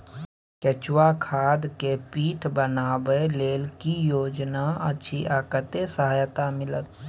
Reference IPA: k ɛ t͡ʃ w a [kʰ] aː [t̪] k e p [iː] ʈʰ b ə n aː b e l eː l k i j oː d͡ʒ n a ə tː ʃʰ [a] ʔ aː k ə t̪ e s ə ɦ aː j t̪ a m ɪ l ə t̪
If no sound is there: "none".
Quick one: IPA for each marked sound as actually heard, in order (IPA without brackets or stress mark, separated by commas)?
kʰ, d̪, iː, i